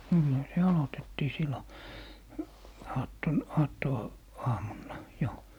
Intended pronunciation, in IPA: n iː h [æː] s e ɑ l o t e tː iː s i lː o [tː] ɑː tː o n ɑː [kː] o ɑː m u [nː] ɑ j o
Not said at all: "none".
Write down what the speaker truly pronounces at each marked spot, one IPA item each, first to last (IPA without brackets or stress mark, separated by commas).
æ, none, tː, nː